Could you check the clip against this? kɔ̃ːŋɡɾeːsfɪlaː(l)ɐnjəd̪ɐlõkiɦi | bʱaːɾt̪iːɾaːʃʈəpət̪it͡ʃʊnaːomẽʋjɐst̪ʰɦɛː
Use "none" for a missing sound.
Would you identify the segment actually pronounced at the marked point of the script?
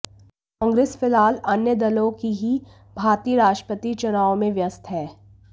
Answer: l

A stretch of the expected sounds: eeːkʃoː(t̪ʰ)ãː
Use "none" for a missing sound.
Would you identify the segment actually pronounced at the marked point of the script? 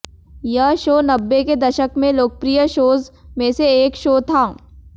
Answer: t̪ʰ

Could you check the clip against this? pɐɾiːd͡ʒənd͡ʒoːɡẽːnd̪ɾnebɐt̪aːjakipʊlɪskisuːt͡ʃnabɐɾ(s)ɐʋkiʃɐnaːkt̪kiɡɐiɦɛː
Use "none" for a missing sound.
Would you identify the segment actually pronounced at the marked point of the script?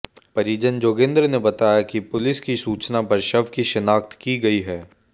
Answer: ʃ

